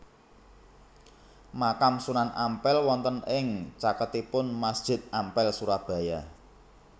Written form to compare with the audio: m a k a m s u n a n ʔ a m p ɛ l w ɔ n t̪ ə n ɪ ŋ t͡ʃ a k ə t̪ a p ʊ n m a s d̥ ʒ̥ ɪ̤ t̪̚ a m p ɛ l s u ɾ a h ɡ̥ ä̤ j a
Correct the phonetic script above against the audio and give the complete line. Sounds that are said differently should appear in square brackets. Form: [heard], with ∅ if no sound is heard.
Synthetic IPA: m a k a m s u n a n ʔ a m p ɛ l w ɔ n t̪ ə n ɪ ŋ t͡ʃ a k ə t̪ [i] p ʊ n m a s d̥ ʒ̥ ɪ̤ t̪̚ a m p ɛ l s u ɾ a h [b̥] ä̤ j a